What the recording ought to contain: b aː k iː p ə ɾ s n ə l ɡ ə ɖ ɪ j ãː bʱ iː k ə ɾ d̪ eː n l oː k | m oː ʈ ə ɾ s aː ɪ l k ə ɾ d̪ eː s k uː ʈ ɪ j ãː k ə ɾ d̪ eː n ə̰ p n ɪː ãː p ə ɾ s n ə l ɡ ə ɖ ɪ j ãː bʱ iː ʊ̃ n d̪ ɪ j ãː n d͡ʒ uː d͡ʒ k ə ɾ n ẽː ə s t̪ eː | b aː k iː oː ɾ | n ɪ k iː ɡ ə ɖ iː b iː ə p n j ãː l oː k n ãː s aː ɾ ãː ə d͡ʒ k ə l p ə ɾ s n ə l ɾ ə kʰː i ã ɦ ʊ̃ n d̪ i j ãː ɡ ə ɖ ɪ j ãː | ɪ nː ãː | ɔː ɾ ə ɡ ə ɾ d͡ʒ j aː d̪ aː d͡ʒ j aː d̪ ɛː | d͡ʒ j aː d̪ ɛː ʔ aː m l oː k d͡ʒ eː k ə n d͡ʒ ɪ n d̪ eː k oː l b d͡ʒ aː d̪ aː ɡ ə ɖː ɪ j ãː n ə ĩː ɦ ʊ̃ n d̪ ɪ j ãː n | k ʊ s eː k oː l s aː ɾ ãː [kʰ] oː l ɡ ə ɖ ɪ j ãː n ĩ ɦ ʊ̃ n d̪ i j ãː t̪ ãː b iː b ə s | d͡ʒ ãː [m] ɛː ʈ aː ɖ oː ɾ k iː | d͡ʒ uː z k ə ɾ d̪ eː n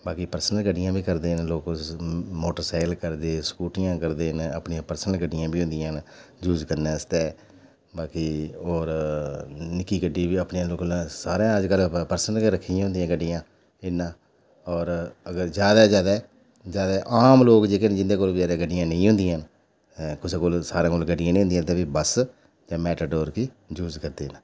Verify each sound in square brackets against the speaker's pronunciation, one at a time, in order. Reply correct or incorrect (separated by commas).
incorrect, correct